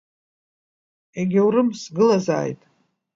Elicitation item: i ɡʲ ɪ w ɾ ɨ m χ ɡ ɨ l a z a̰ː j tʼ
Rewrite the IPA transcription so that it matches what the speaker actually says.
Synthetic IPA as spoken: e ɡʲ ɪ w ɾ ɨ m s ɡ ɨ l a z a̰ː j tʼ